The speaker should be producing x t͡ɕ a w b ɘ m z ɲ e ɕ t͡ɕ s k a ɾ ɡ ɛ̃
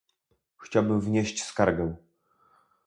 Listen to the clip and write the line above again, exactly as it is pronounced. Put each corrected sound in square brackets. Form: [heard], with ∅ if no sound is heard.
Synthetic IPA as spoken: x t͡ɕ a w b ɘ m [v] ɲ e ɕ t͡ɕ s k a ɾ ɡ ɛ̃